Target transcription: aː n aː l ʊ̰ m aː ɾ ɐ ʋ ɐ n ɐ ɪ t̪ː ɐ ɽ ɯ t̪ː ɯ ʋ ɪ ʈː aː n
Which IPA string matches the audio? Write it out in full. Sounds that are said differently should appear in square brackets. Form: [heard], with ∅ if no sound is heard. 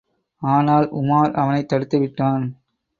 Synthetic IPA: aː n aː l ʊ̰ m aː ɾ ɐ ʋ ɐ n ɐ ɪ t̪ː ɐ ɽ ɯ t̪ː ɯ ʋ ɪ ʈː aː n